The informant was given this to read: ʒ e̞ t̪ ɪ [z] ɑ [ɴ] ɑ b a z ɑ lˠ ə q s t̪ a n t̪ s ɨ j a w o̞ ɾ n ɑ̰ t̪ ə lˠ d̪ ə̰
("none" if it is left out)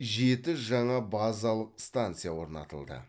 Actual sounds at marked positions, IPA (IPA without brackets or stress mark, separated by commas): ʒ, ɴ